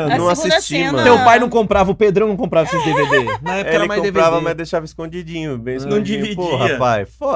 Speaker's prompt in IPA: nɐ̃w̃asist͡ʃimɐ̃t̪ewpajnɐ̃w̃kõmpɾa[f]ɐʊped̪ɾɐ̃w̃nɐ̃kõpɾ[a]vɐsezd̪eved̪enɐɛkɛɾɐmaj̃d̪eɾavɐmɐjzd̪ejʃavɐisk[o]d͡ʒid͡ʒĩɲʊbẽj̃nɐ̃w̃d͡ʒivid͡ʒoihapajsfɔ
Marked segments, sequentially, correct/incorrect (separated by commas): incorrect, correct, incorrect